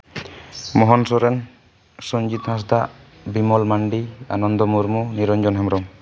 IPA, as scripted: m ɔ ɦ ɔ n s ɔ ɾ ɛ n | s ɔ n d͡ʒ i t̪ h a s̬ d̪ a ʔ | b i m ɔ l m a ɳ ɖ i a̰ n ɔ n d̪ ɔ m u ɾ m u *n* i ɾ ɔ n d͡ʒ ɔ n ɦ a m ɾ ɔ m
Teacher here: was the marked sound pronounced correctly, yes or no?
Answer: yes